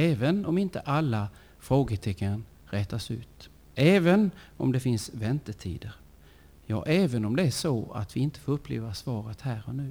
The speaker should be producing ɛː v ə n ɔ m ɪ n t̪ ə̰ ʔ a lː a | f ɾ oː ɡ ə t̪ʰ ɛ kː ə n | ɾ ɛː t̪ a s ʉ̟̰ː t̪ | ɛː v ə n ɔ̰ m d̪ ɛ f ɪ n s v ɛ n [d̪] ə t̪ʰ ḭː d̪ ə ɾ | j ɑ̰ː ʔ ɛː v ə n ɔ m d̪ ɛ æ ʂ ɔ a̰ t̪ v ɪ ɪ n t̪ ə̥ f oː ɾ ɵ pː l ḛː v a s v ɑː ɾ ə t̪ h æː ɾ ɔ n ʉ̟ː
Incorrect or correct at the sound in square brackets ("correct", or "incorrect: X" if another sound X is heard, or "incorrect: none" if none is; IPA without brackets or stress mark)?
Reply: incorrect: t̪